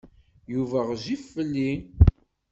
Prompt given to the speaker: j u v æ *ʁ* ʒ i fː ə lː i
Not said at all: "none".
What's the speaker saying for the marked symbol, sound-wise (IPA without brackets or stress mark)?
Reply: ʁ